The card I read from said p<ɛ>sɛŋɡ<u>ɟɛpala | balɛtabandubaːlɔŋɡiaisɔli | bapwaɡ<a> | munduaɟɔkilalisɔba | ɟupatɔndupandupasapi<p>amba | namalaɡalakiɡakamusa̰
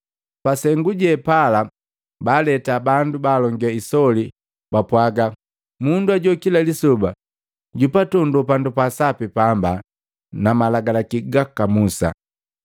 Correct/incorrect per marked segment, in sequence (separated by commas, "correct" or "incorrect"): incorrect, correct, correct, correct